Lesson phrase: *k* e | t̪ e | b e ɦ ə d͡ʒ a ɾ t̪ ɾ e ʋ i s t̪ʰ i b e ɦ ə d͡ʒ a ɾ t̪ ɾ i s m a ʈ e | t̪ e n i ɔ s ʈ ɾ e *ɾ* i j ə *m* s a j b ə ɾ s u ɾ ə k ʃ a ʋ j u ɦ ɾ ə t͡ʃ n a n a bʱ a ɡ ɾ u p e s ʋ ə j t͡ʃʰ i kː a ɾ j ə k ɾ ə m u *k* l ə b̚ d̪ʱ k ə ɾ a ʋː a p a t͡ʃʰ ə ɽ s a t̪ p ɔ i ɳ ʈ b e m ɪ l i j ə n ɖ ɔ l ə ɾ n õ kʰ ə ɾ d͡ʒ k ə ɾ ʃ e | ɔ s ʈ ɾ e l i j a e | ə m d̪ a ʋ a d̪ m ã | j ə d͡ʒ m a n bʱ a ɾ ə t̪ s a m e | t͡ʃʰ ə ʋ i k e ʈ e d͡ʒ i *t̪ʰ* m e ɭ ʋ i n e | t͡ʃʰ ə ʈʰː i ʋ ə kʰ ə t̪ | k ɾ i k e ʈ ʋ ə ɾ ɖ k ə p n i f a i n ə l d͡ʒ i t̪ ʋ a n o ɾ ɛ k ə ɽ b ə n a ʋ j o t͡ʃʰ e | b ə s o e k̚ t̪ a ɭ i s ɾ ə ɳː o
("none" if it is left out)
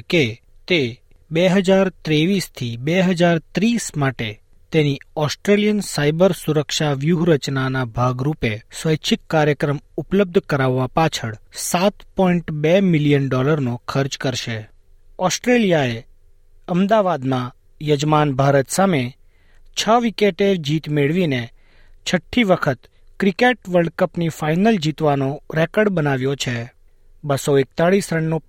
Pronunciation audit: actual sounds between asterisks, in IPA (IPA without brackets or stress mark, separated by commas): k, l, n, p, t̪